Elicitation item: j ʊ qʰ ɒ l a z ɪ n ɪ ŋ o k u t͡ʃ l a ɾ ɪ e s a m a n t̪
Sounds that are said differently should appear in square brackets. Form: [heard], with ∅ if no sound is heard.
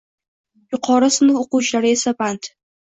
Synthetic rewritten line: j ʊ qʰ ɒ [ɾ] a [s] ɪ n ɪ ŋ o [q] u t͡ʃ l a ɾ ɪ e s a [b] a n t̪